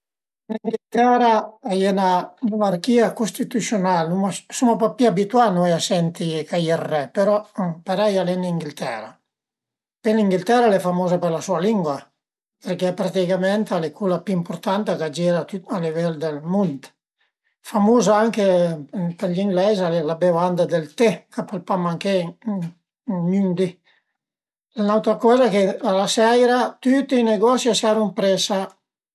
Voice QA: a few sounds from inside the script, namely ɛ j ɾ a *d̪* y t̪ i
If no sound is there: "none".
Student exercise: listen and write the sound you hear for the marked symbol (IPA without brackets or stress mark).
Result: t̪